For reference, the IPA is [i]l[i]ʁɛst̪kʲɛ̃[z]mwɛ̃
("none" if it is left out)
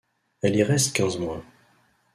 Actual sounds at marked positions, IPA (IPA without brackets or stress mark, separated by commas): ɛ, i, z